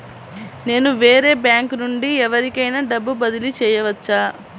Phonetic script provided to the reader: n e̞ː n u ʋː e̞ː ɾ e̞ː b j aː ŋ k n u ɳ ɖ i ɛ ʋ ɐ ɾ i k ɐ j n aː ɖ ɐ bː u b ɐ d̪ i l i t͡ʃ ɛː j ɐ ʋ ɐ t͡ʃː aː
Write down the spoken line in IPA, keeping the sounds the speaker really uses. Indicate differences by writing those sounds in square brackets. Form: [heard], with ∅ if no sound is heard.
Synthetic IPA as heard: n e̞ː n u [ʋ] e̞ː ɾ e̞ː b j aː ŋ k n u ɳ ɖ i ɛ ʋ ɐ ɾ i k ɐ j n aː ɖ ɐ bː u b ɐ d̪ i l i t͡ʃ ɛː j ɐ ʋ ɐ t͡ʃː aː